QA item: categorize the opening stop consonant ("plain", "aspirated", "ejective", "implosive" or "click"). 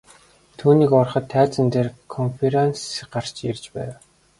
aspirated